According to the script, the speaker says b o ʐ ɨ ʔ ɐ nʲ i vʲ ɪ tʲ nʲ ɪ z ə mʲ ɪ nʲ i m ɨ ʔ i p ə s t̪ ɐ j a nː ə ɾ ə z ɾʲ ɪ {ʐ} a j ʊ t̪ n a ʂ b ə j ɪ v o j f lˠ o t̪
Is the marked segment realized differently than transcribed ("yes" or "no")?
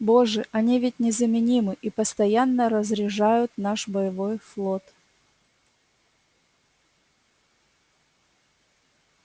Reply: no